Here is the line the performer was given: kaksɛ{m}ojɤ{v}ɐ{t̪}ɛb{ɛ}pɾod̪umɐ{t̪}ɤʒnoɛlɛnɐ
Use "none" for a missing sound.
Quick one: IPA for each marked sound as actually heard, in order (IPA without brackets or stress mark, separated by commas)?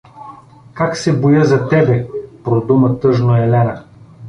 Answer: b, z, t̪, ɛ, t̪